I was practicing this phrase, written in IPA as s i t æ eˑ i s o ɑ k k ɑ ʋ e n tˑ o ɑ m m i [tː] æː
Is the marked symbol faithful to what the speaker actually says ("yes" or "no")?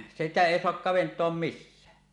no